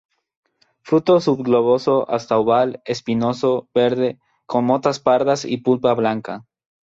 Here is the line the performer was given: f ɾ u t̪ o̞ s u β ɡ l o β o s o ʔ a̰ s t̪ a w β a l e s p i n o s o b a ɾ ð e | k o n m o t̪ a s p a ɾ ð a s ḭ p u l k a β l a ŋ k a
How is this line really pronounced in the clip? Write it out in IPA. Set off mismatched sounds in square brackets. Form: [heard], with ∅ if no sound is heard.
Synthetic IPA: f ɾ u t̪ o̞ s u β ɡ l o β o s o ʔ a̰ s t̪ a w β a l e s p i n o s o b [e] ɾ ð e | k o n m o t̪ a s p a ɾ ð a s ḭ p u l [p] a β l a ŋ k a